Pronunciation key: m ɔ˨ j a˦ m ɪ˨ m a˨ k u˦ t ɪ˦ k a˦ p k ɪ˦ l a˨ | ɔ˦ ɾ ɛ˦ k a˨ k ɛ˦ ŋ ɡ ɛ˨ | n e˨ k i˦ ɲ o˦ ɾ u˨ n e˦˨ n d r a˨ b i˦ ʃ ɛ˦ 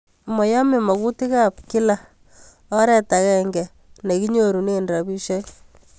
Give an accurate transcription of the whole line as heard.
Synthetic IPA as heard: m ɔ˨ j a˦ m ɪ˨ m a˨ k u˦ t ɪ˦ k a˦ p k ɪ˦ l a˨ | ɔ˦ ɾ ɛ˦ t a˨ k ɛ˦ ŋ ɡ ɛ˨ | n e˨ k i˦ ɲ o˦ ɾ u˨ n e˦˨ n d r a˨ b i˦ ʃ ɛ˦